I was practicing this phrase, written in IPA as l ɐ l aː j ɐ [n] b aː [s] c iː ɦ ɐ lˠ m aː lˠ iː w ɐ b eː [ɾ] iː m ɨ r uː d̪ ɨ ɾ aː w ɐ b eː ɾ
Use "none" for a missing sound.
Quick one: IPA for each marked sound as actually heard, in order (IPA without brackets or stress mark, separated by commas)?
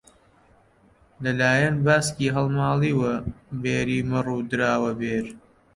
n, s, ɾ